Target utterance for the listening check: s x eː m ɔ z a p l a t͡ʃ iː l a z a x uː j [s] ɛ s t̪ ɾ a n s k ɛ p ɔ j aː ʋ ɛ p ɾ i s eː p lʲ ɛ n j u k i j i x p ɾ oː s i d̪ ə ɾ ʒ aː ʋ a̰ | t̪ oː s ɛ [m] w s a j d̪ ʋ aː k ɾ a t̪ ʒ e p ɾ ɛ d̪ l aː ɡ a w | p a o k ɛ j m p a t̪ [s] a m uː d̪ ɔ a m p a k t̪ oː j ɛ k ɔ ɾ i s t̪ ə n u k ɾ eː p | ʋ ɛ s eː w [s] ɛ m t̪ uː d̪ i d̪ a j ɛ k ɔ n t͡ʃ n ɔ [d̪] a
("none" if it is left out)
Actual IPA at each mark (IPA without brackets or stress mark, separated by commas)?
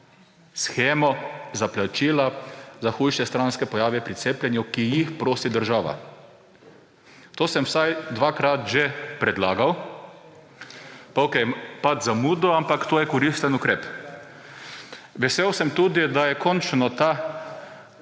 ʃ, m, z, s, t̪